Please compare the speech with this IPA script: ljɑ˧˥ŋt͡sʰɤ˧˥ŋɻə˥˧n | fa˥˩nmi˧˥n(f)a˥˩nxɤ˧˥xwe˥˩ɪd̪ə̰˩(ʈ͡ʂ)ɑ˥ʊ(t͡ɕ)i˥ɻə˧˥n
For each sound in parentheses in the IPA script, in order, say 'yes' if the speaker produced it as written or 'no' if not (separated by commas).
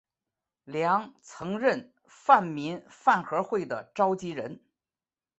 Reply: yes, yes, yes